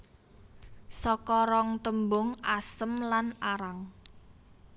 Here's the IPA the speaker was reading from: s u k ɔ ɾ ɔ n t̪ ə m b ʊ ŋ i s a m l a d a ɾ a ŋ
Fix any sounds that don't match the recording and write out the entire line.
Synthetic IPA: s ɔ k ɔ ɾ ɔ ŋ t̪ ə m b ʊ ŋ a s ə m l a n a ɾ a ŋ